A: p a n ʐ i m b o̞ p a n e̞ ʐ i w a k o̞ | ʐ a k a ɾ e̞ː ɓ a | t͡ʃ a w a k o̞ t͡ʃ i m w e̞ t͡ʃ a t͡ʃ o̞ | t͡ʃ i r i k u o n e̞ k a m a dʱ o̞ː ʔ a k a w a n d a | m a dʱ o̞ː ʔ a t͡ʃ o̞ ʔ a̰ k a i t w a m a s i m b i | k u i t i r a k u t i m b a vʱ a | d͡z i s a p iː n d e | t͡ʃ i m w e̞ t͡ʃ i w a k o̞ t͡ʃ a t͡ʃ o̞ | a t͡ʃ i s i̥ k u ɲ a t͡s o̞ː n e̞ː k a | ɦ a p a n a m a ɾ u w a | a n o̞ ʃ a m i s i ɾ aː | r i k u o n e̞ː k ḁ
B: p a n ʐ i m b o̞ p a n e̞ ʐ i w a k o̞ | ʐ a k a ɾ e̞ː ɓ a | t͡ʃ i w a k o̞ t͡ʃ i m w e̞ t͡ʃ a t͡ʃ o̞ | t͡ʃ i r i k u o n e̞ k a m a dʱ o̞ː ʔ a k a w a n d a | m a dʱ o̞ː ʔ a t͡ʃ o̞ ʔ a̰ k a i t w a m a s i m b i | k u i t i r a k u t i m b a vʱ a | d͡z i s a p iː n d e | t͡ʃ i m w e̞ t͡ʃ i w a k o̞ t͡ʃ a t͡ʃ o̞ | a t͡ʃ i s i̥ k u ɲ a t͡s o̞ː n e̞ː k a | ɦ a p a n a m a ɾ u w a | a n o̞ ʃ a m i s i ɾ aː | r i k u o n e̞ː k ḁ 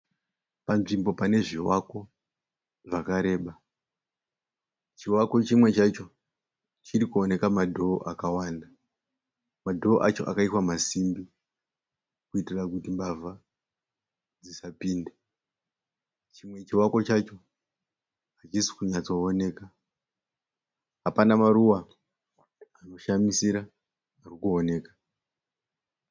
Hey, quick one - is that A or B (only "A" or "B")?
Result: B